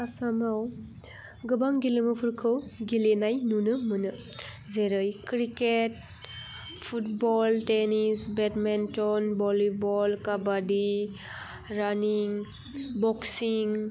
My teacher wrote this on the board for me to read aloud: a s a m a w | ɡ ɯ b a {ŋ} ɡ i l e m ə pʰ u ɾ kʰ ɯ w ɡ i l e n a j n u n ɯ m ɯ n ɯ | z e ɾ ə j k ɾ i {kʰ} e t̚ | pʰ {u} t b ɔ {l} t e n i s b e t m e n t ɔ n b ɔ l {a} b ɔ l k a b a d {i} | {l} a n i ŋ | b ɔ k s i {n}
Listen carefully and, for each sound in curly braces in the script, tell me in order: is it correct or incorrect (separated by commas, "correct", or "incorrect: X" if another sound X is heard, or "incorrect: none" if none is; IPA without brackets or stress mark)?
correct, incorrect: k, correct, correct, incorrect: i, correct, incorrect: ɾ, incorrect: ŋ